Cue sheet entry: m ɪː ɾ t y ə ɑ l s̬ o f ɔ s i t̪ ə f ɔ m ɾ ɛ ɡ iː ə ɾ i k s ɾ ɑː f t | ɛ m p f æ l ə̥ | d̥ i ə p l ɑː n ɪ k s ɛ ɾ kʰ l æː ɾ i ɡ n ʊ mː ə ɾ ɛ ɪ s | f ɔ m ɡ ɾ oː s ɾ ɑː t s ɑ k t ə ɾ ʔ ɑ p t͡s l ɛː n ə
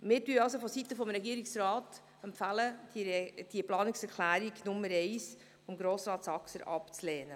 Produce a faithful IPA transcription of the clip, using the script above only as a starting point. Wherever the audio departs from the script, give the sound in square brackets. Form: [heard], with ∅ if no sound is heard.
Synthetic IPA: m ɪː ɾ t y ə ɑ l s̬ o f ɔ s i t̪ ə f ɔ m ɾ ɛ ɡ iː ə ɾ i k s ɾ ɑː [∅] t | ɛ m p f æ l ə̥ | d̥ i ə p l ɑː n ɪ k s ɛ ɾ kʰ l æː ɾ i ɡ n ʊ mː ə ɾ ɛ ɪ s | f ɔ m ɡ ɾ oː s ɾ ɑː t s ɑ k [s] ə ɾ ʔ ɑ p t͡s l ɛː n ə